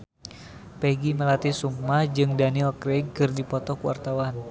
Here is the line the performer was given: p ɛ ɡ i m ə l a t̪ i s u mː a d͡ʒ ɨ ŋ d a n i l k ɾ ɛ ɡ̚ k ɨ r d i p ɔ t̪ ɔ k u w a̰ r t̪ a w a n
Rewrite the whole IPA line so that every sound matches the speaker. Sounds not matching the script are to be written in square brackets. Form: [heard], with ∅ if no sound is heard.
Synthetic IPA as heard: p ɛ ɡ i m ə l a t̪ i s u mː a d͡ʒ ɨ ŋ d a n i l k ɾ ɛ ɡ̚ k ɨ r d i p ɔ t̪ ɔ k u w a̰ r t̪ a w a n